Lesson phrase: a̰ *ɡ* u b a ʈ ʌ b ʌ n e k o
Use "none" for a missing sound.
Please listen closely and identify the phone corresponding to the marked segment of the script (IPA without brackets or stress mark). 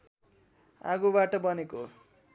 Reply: ɡ